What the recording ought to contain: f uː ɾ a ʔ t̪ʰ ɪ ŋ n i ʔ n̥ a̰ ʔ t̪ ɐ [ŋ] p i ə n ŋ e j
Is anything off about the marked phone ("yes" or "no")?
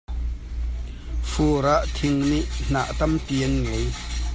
yes